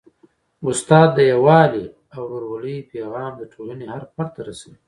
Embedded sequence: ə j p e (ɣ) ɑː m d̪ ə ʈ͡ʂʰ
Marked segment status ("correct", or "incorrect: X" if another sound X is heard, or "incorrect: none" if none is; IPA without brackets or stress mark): correct